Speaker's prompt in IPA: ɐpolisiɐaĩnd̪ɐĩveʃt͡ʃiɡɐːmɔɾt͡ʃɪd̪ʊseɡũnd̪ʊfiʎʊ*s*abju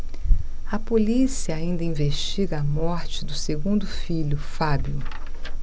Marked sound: incorrect: f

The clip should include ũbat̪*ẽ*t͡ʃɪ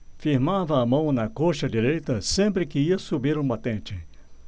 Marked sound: correct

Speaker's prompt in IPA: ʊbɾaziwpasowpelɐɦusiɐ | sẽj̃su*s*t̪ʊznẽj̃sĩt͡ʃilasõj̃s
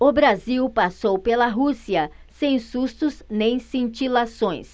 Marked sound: correct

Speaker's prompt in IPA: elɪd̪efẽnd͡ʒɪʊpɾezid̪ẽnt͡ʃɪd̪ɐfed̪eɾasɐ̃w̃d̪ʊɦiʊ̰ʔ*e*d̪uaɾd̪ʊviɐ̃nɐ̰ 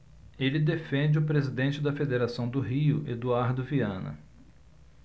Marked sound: correct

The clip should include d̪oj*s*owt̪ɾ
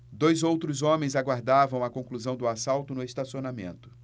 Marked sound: incorrect: z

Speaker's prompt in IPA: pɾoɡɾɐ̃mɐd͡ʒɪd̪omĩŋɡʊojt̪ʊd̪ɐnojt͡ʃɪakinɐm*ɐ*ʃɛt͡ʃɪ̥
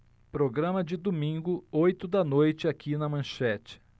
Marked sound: incorrect: ɐ̃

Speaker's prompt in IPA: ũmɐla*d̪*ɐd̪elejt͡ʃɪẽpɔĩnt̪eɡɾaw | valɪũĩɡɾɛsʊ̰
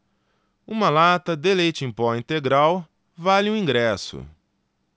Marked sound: incorrect: t̪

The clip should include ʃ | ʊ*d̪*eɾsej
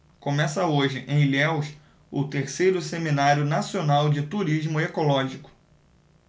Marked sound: incorrect: t̪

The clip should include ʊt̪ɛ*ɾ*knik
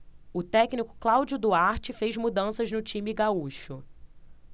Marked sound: incorrect: none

